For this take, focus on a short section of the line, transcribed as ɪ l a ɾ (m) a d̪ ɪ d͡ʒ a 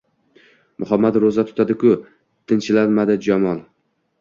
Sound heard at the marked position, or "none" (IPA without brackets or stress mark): m